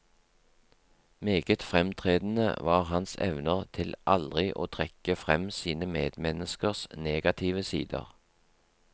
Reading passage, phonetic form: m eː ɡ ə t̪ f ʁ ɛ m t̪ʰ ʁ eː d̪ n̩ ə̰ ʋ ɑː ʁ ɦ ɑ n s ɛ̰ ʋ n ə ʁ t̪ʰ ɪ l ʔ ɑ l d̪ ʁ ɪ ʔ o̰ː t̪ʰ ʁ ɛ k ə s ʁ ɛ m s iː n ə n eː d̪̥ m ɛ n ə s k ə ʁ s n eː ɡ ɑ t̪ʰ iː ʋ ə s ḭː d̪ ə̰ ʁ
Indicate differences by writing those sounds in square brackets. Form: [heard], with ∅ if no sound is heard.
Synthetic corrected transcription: m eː ɡ ə t̪ f ʁ ɛ m t̪ʰ ʁ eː d̪ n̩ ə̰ ʋ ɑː ʁ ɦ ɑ n s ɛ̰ ʋ n ə ʁ t̪ʰ ɪ l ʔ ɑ l d̪ ʁ ɪ ʔ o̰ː t̪ʰ ʁ ɛ k ə [f] ʁ ɛ m s iː n ə [m] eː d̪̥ m ɛ n ə s k ə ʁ s n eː ɡ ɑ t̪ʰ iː ʋ ə s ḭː d̪ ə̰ ʁ